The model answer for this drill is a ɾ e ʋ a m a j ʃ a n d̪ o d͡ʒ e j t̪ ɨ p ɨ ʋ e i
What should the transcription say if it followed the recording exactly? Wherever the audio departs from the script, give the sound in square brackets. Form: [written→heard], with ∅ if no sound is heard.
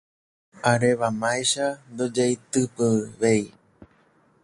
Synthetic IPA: a ɾ e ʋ a m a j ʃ a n d̪ o d͡ʒ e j t̪ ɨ p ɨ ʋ e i